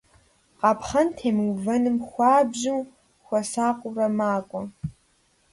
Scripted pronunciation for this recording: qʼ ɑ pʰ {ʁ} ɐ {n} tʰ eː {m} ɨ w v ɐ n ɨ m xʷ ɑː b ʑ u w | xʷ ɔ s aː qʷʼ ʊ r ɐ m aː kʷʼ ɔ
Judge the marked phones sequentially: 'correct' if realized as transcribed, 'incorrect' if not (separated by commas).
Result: incorrect, correct, correct